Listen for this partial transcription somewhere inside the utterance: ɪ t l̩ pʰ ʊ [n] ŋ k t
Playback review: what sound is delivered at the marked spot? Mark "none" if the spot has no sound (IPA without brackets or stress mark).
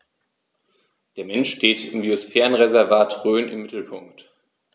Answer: none